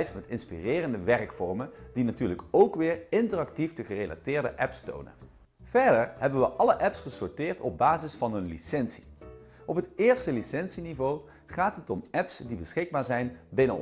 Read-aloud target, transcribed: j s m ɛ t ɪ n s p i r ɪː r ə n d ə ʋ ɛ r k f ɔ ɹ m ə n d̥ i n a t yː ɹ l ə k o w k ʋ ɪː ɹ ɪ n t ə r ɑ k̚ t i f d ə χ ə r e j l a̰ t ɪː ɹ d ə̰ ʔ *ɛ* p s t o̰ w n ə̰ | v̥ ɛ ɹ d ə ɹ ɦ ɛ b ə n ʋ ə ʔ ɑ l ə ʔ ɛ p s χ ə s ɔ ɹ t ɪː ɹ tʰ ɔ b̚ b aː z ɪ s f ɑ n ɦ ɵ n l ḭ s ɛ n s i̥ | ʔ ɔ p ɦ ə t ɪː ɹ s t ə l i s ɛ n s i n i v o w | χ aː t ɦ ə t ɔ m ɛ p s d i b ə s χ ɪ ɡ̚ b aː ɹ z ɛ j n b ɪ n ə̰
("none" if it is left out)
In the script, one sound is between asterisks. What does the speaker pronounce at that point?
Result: ɛ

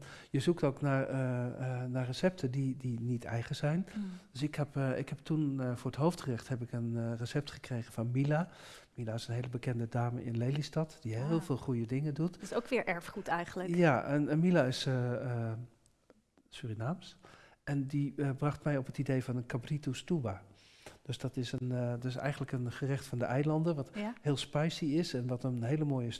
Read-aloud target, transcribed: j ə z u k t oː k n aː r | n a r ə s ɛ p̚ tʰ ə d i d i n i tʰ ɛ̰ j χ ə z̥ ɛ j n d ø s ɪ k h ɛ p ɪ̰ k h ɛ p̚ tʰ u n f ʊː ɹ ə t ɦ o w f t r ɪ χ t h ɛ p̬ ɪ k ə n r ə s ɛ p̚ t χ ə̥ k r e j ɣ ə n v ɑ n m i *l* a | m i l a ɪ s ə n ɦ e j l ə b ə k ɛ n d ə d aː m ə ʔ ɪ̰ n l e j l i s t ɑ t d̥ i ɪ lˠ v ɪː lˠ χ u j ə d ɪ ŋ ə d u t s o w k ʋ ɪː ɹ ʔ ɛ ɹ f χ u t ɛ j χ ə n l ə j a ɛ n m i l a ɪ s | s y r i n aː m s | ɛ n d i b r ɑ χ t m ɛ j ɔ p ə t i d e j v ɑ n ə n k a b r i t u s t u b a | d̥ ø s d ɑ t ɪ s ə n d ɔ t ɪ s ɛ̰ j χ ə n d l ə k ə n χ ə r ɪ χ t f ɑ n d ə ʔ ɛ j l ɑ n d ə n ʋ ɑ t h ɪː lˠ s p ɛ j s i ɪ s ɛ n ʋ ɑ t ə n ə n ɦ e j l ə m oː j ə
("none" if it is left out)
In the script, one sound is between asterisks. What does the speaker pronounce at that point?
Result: l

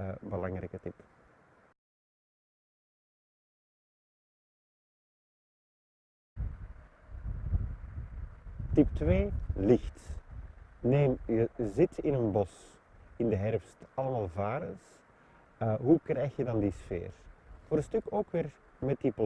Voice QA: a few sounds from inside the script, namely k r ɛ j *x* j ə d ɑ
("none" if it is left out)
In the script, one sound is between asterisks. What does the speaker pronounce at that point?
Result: x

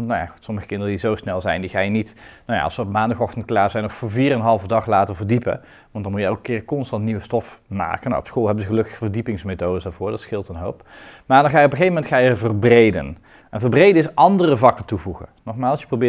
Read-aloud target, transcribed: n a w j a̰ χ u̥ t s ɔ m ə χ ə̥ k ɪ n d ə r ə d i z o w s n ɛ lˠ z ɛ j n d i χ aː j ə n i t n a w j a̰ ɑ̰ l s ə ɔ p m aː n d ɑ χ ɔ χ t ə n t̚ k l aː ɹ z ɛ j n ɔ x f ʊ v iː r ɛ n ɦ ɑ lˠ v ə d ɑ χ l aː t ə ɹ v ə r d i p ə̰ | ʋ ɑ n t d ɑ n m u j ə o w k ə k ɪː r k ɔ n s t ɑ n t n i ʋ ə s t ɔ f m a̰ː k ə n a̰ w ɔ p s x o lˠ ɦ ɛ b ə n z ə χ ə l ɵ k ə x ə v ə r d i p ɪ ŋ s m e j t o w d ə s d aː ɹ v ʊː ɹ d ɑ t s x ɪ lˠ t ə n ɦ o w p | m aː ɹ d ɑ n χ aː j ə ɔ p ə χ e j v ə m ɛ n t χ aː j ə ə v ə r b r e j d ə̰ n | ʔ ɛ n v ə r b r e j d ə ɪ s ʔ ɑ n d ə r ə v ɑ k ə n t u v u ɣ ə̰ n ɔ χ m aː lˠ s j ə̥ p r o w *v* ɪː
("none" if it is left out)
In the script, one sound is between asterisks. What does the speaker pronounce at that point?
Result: b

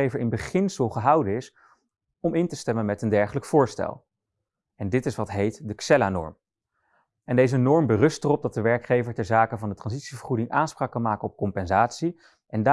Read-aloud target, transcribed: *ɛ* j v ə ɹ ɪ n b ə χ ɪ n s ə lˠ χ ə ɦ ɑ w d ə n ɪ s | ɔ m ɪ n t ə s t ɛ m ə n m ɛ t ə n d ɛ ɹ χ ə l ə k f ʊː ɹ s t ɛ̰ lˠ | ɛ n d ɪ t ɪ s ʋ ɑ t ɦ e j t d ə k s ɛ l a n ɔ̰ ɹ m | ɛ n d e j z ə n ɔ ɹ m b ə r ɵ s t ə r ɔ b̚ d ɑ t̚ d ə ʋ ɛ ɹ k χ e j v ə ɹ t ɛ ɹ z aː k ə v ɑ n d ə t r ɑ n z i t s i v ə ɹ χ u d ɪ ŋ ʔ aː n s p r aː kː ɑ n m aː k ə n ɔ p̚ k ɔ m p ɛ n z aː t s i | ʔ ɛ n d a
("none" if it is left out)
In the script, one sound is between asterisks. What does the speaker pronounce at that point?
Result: e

